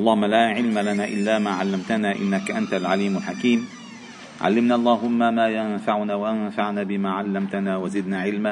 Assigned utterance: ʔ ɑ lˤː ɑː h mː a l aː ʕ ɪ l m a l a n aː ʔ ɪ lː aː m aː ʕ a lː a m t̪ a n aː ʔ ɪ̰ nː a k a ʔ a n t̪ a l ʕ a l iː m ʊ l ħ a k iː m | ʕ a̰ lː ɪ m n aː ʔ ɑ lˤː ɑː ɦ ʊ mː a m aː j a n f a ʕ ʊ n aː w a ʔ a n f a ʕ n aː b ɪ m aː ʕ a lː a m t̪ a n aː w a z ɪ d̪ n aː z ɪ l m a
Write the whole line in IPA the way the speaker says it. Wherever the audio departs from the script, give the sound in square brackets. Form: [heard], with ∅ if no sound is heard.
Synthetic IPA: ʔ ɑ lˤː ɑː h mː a l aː ʕ ɪ l m a l a n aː ʔ ɪ lː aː m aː ʕ a lː a m t̪ a n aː ʔ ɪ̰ nː a k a ʔ a n t̪ a l ʕ a l iː m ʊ l ħ a k iː m | ʕ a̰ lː ɪ m n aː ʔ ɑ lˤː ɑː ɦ ʊ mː a m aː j a n f a ʕ ʊ n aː w a ʔ a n f a ʕ n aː b ɪ m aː ʕ a lː a m t̪ a n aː w a z ɪ d̪ n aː [ʕ] ɪ l m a